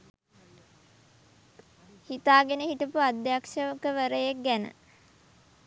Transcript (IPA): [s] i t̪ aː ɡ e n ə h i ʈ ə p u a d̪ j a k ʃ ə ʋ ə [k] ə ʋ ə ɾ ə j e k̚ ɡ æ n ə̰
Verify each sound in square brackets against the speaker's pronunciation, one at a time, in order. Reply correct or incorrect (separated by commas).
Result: incorrect, correct